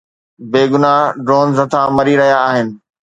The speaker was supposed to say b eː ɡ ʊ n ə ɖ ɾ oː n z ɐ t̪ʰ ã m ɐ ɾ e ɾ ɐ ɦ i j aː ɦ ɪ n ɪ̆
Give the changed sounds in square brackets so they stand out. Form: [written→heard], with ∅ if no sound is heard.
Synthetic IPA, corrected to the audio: b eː ɡ ʊ n [ə→a] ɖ ɾ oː n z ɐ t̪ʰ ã m ɐ ɾ [e→i] ɾ ɐ ɦ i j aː ɦ ɪ n ɪ̆